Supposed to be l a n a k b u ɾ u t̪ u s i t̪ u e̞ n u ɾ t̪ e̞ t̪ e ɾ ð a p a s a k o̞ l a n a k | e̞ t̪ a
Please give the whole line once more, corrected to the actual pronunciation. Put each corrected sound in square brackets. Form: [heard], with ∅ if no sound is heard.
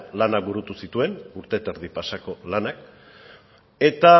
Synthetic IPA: l a n a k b u ɾ u t̪ u s i t̪ u e̞ n u ɾ t̪ e̞ t̪ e ɾ ð [i] p a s a k o̞ l a n a k | e̞ t̪ a